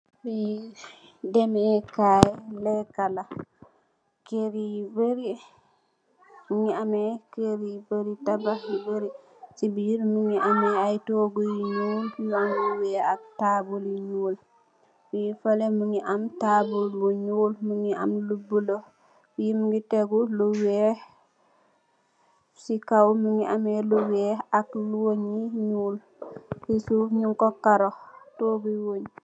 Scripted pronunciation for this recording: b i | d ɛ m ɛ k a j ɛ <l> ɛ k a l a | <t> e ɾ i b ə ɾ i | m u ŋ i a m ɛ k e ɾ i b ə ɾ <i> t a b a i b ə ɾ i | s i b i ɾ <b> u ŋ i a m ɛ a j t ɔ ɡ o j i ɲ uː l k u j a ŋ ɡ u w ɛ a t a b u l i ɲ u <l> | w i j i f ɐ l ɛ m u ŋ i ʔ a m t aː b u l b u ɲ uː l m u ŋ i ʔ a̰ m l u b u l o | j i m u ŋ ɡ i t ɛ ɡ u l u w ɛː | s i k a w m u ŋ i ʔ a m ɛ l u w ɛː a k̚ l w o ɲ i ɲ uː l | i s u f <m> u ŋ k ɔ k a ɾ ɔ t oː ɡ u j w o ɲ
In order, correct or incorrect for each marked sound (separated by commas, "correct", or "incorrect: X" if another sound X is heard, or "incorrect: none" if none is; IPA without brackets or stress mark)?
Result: correct, incorrect: k, correct, incorrect: m, correct, incorrect: ɲ